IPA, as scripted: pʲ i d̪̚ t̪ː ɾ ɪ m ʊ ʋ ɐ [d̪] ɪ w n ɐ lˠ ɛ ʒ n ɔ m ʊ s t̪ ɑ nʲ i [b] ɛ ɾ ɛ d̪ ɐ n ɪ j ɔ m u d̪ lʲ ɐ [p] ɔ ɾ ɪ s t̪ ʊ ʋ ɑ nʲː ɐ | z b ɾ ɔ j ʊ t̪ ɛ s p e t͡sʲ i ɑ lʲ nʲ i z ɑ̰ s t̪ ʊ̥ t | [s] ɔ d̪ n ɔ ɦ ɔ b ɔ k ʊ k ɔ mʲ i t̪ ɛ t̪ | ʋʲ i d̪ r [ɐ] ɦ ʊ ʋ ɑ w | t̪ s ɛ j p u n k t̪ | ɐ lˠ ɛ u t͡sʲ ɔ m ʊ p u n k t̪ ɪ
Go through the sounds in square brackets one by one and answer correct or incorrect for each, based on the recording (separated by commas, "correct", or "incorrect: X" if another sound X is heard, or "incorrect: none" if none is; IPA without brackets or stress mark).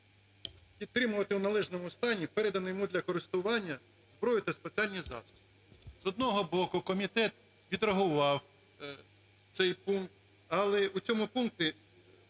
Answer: incorrect: t̪, incorrect: p, incorrect: k, incorrect: z, correct